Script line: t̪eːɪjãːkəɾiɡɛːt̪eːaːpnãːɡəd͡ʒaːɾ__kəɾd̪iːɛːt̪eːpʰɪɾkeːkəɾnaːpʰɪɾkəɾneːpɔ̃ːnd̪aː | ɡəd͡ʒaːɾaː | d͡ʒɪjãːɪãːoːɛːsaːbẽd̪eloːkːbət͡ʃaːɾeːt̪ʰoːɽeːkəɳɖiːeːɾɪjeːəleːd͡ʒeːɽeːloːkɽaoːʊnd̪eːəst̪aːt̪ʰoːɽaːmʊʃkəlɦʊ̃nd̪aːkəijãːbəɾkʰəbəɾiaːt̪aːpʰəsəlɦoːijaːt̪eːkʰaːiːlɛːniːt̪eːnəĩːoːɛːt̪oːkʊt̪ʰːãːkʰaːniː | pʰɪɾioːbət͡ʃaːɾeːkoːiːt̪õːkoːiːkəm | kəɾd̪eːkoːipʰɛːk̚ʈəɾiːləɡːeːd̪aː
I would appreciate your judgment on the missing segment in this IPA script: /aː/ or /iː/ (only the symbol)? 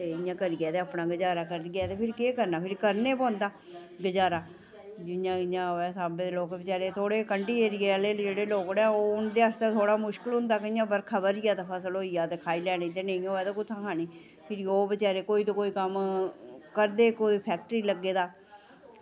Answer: aː